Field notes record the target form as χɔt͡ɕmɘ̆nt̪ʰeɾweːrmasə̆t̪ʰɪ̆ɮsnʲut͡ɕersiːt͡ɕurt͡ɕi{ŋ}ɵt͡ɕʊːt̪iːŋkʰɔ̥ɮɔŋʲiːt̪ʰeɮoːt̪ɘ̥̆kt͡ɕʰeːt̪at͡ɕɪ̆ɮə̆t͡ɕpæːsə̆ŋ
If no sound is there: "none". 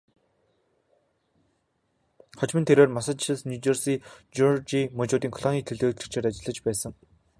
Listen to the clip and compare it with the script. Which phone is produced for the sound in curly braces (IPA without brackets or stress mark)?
m